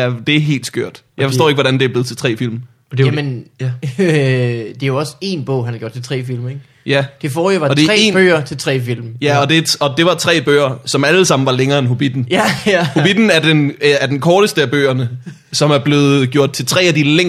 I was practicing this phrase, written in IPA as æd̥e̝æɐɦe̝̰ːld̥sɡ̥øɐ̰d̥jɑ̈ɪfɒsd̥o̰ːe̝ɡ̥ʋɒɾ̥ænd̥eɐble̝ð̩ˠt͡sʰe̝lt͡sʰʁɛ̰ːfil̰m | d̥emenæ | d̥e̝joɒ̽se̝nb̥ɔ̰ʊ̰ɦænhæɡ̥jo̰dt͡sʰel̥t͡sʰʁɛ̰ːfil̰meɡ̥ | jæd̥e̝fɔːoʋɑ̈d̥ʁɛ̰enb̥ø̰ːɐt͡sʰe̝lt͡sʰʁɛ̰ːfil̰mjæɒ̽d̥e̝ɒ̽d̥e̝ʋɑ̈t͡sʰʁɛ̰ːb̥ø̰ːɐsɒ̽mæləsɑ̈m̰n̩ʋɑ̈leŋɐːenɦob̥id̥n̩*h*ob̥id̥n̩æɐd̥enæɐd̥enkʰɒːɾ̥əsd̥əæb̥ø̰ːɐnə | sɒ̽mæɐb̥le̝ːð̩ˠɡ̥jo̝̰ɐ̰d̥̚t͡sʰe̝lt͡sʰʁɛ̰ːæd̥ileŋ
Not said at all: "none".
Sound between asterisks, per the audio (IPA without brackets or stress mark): h